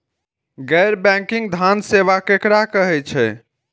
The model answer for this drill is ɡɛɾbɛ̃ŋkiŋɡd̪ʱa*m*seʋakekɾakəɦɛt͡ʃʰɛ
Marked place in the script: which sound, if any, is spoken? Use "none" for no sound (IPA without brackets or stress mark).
n